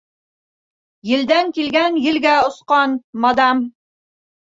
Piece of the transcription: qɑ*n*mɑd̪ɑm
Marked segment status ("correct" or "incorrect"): correct